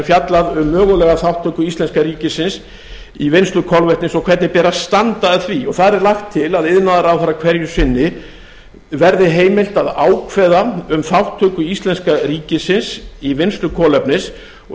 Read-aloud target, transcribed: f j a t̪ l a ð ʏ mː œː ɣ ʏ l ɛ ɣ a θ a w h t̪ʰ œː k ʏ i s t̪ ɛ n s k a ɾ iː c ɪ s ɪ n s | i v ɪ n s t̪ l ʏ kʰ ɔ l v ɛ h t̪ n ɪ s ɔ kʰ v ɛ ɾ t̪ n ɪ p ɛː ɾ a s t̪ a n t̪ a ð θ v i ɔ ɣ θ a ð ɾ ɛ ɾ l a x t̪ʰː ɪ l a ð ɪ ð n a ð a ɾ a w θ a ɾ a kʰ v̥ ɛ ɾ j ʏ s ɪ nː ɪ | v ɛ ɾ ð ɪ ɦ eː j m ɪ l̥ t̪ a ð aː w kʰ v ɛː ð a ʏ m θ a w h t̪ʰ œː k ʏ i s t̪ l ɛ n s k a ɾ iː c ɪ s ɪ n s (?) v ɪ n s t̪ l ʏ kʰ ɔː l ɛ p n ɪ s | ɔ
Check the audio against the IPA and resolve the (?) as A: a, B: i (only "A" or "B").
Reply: B